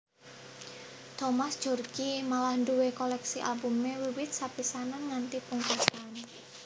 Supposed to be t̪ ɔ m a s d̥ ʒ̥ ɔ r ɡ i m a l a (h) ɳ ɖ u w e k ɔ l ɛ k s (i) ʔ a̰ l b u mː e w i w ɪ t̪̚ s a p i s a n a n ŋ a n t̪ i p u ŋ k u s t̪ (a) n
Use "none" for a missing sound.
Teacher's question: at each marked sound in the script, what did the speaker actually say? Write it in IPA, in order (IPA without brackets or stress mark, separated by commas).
h, i, a